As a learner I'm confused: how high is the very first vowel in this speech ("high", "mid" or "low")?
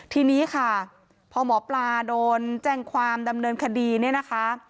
high